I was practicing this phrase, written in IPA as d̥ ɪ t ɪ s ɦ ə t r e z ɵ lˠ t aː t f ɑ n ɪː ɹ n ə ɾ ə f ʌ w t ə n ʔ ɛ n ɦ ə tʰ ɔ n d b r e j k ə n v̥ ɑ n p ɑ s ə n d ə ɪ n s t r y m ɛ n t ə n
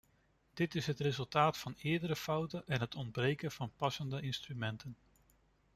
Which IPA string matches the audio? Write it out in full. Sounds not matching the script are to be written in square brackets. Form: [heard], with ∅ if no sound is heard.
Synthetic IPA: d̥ ɪ t ɪ s ɦ ə t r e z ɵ lˠ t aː t f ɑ n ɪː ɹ [d] ə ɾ ə f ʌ w t ə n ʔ ɛ n ɦ ə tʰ ɔ n d b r e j k ə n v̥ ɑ n p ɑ s ə n d ə ɪ n s t r y m ɛ n t ə n

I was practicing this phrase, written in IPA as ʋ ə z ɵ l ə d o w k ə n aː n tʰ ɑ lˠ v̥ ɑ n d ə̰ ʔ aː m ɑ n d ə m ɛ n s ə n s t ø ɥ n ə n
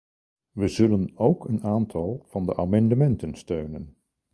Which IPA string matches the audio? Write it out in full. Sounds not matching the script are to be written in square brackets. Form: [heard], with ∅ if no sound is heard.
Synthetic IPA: ʋ ə z ɵ l ə [n] o w k ə n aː n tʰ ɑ lˠ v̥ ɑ n d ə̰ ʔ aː m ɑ n d ə m ɛ n [t] ə n s t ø ɥ n ə n

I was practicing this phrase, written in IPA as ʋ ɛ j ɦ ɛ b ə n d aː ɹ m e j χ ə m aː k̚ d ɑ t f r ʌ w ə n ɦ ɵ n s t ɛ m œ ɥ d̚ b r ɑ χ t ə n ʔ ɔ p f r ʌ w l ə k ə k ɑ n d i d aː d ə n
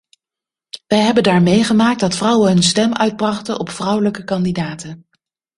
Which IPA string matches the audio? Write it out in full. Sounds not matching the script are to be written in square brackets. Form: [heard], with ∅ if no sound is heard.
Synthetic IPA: ʋ ɛ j ɦ ɛ b ə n d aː ɹ m e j χ ə m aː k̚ d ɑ t f r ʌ w ə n ɦ ɵ n s t ɛ m œ ɥ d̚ b r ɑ χ t ə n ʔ ɔ p f r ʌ w l ə k ə k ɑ n d i d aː [t] ə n

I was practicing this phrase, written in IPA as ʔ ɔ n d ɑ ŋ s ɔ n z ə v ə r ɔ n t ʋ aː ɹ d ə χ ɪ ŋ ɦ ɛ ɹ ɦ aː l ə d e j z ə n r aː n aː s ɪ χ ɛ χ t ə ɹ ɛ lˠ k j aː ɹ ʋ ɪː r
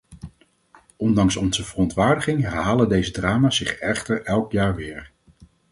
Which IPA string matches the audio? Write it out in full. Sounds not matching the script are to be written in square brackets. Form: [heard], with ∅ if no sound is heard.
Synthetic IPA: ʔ ɔ n d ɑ ŋ s ɔ n z ə v ə r ɔ n t ʋ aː ɹ d ə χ ɪ ŋ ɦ ɛ ɹ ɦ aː l ə d e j z ə [d] r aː [m] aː s ɪ χ ɛ χ t ə ɹ ɛ lˠ k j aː ɹ ʋ ɪː [ɹ]

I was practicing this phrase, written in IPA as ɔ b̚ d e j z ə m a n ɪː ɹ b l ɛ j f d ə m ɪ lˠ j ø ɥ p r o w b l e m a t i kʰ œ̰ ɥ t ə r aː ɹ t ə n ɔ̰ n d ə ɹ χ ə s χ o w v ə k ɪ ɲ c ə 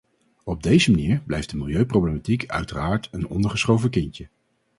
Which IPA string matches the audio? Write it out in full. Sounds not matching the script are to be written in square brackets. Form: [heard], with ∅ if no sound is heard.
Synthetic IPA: ɔ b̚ d e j z ə m a n [iː] ɹ b l ɛ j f d ə m ɪ lˠ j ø ɥ p r o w b l e m a t i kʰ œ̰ ɥ t ə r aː ɹ t ə n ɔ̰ n d ə ɹ χ ə s χ o w v ə k ɪ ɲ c ə

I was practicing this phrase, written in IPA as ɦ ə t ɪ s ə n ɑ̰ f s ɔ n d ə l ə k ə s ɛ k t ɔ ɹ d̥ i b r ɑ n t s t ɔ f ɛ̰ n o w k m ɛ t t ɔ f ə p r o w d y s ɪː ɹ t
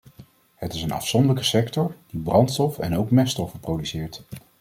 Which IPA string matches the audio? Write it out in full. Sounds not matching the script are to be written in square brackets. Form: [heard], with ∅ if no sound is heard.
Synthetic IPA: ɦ ə t ɪ s ə n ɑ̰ f s ɔ n d ə l ə k ə s ɛ k t ɔ ɹ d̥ i b r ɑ n t s t ɔ f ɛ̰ n o w k m ɛ [s] t ɔ f ə p r o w d y s ɪː ɹ t

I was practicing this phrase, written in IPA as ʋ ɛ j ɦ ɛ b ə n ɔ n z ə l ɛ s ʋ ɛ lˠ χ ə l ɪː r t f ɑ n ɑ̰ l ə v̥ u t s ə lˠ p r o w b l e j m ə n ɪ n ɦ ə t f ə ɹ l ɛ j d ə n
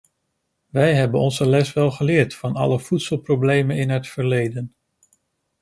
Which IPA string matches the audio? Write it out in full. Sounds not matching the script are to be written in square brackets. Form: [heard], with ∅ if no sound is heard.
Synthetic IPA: ʋ ɛ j ɦ ɛ b ə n ɔ n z ə l ɛ s ʋ ɛ lˠ χ ə l ɪː [ɹ] t f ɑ n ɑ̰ l ə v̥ u t s ə lˠ p r o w b l e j m ə n ɪ n ɦ ə t f ə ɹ l [e] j d ə n

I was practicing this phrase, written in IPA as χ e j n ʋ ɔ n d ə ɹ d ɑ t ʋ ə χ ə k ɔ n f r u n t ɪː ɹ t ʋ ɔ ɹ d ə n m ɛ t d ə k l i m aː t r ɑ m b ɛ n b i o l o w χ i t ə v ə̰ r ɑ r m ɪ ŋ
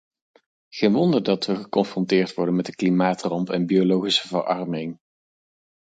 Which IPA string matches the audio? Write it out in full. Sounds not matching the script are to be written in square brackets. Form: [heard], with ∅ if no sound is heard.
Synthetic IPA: χ e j n ʋ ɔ n d ə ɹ d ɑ t ʋ ə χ ə k ɔ n f r [ɔ] n t ɪː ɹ t ʋ ɔ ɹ d ə n m ɛ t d ə k l i m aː t r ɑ m [p] ɛ n b i o l o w χ i [s] ə v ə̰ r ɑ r m ɪ ŋ

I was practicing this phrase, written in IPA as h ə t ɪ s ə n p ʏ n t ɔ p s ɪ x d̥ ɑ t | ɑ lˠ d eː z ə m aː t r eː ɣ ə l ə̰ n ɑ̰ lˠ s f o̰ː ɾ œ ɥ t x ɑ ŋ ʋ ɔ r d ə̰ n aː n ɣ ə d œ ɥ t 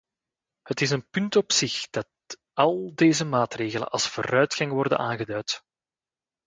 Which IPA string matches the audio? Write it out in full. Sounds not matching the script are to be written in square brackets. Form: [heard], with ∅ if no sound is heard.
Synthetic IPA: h ə t ɪ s ə n p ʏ n t ɔ p s ɪ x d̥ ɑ t | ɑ lˠ d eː z ə m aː t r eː ɣ ə l ə̰ n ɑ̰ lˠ s f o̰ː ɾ œ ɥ t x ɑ ŋ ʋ ɔ r d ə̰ n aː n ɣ ə d œ ɥ t

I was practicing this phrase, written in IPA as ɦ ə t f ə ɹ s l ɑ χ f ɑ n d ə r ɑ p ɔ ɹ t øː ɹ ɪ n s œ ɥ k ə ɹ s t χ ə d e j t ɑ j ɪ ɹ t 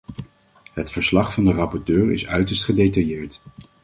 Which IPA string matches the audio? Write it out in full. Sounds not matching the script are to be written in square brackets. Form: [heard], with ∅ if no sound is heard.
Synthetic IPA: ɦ ə t f ə ɹ s l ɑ χ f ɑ n d ə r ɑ p ɔ ɹ t øː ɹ ɪ [∅] s œ ɥ [t] ə ɹ s t χ ə d e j t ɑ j [ɪː] ɹ t

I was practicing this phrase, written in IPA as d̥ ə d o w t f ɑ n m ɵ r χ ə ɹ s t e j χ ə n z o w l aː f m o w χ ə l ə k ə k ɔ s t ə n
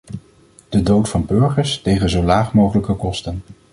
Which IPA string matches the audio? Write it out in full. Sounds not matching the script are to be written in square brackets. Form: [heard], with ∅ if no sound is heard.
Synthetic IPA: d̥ ə d o w t f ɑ n [b] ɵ [ɹ] χ ə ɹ s t e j χ ə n z o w l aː [χ] m o w χ ə l ə k ə k ɔ s t ə n

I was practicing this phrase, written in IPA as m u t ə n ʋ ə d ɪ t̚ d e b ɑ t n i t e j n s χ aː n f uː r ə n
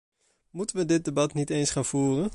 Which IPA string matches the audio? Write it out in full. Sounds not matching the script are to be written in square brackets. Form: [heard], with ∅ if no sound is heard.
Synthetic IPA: m u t ə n ʋ ə d ɪ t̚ d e b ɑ t n i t e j n s χ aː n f uː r ə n

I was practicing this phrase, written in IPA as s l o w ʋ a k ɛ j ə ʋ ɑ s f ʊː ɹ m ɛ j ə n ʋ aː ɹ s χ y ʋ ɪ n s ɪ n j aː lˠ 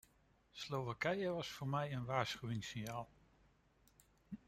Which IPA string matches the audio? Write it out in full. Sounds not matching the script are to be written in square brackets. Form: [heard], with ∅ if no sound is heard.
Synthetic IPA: s l o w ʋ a k ɛ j ə ʋ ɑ s f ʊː ɹ m ɛ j ə n ʋ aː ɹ s χ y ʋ ɪ [ŋ] s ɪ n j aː lˠ

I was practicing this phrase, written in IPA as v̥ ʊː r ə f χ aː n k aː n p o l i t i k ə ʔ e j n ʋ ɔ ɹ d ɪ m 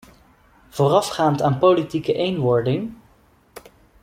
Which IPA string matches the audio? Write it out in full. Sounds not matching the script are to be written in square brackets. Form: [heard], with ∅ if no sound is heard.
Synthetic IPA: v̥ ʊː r [ɑ] f χ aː n [t] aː n p o l i t i k ə ʔ e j n ʋ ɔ ɹ d ɪ [ŋ]

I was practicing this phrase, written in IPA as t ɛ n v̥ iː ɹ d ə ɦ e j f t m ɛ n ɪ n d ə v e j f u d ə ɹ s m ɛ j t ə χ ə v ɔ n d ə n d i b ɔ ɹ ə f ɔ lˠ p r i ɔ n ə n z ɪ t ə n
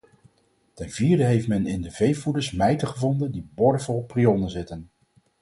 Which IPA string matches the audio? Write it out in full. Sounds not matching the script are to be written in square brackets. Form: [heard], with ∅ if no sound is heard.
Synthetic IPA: t ɛ n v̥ iː ɹ d ə ɦ e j f t m ɛ n ɪ n d ə v e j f u d ə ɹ s m ɛ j t ə χ ə v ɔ n d ə n d i b ɔ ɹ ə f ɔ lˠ p r i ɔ n ə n z ɪ t ə n

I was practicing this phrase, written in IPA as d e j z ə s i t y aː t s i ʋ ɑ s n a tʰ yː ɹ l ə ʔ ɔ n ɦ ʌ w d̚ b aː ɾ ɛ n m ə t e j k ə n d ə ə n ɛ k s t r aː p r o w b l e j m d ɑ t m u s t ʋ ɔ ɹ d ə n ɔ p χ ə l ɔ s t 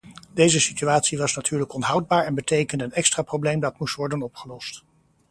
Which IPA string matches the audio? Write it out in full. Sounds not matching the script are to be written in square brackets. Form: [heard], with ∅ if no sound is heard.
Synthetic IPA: d e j z ə s i t y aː t s i ʋ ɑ s n a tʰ yː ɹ l ə [k] ɔ n ɦ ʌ w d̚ b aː [ɹ] ɛ n [b] ə t e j k ə n d ə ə n ɛ k s t r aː p r o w b l e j m d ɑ t m u s t ʋ ɔ ɹ d ə n ɔ p χ ə l ɔ s t

